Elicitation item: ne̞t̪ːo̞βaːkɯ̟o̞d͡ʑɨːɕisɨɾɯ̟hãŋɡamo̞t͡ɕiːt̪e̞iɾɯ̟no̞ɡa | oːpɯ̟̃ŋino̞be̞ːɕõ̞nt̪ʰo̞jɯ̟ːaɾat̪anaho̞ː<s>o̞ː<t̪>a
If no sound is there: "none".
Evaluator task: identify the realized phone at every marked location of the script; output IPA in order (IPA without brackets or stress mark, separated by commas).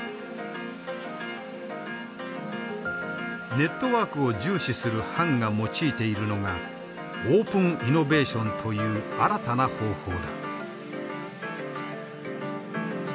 h, d̪